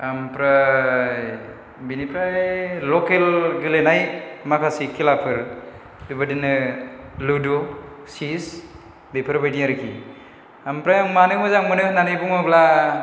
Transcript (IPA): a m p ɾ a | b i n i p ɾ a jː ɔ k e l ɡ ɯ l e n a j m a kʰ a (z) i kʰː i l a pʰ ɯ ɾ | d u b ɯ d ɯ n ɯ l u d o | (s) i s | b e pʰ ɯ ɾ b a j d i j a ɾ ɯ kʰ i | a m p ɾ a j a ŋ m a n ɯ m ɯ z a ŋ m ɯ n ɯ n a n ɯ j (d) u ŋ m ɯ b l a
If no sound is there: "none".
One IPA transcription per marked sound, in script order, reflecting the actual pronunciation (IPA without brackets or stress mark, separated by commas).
s, s, b